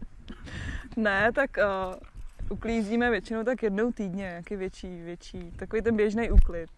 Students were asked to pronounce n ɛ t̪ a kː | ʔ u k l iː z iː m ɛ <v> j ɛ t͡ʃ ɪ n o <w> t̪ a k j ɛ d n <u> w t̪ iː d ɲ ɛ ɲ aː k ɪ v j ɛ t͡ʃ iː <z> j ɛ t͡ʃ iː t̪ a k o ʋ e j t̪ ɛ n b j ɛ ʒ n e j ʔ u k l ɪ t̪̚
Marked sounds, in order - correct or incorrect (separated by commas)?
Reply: correct, correct, incorrect, incorrect